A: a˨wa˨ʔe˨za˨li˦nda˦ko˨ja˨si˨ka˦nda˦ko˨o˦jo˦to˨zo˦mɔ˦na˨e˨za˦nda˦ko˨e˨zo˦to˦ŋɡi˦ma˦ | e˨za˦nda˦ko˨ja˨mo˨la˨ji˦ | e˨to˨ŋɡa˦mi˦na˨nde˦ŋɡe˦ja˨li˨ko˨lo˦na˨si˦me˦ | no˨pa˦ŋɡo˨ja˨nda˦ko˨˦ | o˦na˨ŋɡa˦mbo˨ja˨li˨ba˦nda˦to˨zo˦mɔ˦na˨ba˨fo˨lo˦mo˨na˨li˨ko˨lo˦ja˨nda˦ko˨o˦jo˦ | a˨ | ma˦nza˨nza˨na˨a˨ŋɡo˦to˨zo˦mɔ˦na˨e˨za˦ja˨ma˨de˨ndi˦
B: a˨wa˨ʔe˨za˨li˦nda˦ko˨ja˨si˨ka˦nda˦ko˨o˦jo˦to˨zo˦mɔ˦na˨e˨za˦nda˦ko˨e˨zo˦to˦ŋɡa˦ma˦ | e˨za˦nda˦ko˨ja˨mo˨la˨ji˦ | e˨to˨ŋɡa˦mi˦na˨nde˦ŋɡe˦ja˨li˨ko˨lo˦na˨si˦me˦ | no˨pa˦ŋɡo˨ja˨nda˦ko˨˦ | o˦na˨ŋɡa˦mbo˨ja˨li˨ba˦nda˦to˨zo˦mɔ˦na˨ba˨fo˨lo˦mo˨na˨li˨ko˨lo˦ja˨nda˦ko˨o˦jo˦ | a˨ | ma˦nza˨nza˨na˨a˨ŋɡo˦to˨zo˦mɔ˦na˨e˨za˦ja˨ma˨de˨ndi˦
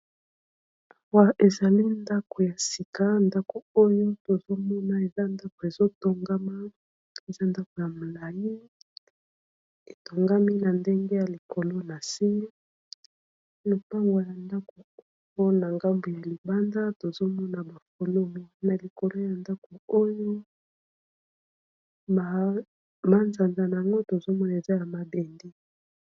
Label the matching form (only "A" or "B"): B